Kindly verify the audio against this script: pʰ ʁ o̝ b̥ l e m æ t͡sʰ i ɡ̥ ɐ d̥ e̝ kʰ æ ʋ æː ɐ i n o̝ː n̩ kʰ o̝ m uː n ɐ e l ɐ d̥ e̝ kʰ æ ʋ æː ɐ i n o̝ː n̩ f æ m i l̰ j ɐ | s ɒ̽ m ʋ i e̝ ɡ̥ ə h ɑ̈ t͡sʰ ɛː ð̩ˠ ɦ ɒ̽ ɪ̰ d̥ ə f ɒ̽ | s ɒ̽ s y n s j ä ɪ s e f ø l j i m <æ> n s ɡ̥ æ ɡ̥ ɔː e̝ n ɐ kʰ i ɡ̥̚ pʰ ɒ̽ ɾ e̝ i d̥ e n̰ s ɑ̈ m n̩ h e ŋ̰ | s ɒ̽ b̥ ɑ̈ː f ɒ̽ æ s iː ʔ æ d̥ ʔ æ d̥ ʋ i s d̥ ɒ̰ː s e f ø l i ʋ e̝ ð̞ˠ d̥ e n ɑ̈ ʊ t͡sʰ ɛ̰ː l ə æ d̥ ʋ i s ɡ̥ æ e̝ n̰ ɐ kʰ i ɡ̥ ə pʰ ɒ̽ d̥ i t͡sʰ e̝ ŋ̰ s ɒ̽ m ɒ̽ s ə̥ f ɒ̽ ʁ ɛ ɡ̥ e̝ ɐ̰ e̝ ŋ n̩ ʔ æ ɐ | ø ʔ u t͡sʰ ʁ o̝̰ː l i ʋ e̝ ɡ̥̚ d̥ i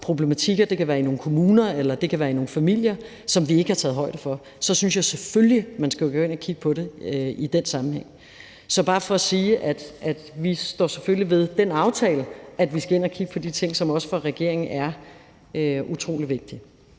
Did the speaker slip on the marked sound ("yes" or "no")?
no